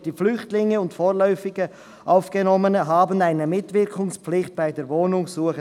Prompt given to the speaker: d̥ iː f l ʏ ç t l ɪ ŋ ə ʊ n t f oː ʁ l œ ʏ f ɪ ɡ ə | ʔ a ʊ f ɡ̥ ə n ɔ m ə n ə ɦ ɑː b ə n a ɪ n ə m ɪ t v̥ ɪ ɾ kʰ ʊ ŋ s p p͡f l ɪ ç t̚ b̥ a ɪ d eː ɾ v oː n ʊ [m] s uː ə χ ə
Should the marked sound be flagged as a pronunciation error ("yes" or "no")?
yes